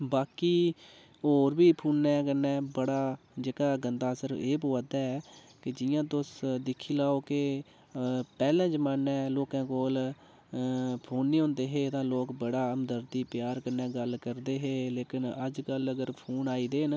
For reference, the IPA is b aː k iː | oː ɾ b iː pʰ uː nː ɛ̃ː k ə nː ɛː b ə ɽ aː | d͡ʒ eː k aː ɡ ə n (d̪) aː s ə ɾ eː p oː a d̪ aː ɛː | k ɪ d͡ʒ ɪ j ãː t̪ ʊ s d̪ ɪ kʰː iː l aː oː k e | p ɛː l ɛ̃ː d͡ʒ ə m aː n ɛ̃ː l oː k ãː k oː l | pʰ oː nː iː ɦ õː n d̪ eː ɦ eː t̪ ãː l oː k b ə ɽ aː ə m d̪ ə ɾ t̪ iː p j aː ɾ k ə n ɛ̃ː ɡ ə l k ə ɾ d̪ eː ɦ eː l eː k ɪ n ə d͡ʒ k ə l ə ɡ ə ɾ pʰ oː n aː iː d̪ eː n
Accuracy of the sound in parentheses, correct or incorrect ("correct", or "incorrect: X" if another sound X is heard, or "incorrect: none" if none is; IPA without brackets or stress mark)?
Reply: correct